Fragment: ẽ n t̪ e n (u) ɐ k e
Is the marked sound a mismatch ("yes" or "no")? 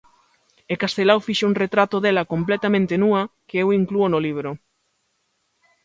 no